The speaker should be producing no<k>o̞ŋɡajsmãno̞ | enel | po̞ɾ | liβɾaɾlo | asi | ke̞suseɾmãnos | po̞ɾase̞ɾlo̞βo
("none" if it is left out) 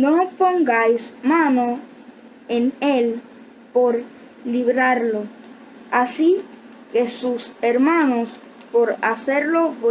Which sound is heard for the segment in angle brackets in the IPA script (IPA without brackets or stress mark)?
p